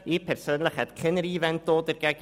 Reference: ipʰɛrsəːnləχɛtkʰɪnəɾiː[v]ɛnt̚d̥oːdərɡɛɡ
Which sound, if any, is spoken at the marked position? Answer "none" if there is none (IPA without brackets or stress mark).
v